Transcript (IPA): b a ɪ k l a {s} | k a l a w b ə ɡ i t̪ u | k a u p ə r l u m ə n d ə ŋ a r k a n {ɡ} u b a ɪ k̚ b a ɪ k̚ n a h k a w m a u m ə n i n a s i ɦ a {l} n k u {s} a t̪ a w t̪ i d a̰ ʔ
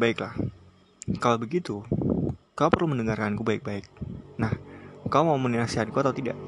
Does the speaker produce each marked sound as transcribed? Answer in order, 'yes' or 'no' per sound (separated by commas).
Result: no, no, no, no